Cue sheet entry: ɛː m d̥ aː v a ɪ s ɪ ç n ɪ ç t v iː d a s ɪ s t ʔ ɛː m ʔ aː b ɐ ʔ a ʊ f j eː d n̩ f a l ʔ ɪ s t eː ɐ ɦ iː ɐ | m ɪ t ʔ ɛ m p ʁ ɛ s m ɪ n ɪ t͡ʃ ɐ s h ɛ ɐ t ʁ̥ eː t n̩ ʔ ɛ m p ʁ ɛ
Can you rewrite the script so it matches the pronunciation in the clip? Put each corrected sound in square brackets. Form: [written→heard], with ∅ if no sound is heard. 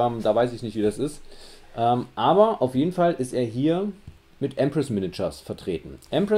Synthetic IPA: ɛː m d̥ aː v a ɪ s ɪ ç n ɪ ç t v iː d a s ɪ s t ʔ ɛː m ʔ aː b ɐ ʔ a ʊ f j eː d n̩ f a l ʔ ɪ s t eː ɐ ɦ iː ɐ | m ɪ t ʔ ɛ m p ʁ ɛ s m ɪ n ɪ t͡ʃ ɐ s [h→f] ɛ ɐ t ʁ̥ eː t n̩ ʔ ɛ m p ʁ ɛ